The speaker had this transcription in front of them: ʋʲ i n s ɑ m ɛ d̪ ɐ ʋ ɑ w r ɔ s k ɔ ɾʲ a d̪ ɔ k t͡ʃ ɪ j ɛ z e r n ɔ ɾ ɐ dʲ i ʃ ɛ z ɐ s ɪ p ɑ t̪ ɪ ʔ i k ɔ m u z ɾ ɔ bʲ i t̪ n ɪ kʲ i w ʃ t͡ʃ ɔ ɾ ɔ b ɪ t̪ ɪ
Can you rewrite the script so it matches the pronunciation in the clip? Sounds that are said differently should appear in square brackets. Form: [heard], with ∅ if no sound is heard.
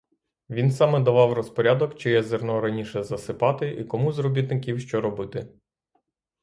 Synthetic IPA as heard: ʋʲ i n s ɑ m ɛ d̪ ɐ ʋ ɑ w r ɔ s [p] ɔ ɾʲ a d̪ ɔ k t͡ʃ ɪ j ɛ z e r n ɔ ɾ ɐ [nʲ] i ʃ ɛ z ɐ s ɪ p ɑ t̪ ɪ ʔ i k ɔ m u z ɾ ɔ bʲ i t̪ n ɪ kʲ i w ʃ t͡ʃ ɔ ɾ ɔ b ɪ t̪ ɪ